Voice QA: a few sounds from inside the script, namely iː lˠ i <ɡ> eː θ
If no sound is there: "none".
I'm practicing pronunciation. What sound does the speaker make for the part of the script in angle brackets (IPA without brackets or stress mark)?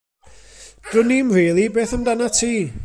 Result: b